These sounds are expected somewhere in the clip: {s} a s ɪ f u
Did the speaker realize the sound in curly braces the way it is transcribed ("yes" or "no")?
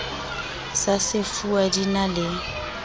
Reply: yes